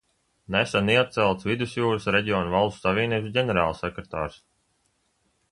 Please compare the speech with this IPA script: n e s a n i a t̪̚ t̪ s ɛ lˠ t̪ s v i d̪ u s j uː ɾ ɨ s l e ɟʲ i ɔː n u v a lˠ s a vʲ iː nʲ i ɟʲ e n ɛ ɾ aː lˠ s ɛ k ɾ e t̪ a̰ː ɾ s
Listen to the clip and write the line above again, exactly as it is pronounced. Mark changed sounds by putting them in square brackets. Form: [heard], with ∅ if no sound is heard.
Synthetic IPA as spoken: n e s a n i a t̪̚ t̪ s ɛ lˠ t̪ s v i d̪ u s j uː ɾ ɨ s [ɾ] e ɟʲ i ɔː n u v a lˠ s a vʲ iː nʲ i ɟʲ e n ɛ ɾ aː lˠ s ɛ k ɾ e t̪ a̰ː ɾ s